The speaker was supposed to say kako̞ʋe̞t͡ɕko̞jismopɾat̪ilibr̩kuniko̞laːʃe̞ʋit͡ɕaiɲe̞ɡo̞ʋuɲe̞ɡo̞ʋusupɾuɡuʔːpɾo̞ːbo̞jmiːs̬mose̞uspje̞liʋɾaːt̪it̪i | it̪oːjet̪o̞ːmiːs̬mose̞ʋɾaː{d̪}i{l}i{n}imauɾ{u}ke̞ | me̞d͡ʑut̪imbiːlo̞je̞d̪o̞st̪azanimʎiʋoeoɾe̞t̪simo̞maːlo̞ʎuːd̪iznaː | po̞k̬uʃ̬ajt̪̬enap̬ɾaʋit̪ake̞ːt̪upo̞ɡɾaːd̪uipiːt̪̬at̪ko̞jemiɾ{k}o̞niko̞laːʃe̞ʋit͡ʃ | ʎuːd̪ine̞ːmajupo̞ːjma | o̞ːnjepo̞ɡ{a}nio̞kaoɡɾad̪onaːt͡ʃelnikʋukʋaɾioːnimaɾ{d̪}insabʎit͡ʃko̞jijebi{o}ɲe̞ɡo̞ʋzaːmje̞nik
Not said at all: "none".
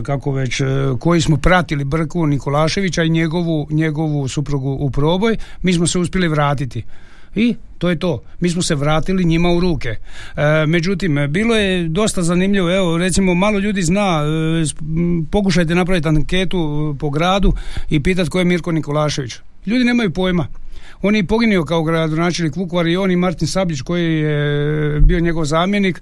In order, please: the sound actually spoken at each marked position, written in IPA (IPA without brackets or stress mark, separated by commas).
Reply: t̪, l, ɲ, uː, k, i, t̪, o